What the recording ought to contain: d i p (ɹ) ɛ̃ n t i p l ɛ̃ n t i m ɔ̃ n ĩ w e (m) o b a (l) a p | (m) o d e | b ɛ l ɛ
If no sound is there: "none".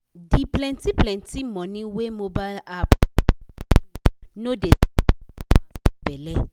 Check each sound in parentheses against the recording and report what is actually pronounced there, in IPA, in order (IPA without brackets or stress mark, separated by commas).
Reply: l, m, l, n